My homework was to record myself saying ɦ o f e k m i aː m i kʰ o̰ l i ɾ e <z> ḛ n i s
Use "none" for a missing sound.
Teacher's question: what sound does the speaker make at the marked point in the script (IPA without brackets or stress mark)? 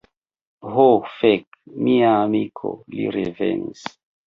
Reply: v